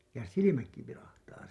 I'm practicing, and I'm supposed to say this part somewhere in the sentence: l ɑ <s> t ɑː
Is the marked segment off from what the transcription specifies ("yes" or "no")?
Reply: yes